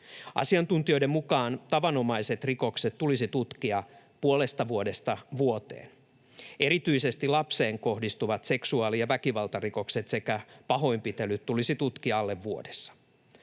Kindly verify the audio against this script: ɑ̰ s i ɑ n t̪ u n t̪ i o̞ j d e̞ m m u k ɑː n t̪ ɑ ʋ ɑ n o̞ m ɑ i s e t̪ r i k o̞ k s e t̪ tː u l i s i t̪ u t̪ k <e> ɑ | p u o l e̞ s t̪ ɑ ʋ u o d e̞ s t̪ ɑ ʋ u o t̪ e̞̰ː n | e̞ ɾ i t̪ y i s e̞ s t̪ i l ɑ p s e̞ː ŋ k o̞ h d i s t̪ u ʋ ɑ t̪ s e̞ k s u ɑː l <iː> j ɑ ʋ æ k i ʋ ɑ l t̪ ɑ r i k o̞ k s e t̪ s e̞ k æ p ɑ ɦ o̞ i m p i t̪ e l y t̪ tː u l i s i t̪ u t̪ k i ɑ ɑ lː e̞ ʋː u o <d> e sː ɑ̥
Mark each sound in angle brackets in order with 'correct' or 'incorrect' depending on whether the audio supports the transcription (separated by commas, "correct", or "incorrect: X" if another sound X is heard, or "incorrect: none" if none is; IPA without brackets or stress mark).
incorrect: i, incorrect: i, correct